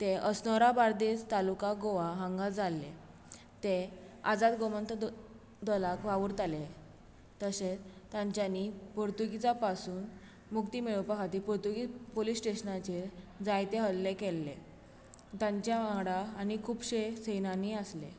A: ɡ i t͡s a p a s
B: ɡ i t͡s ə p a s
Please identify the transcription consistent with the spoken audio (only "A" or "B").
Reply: A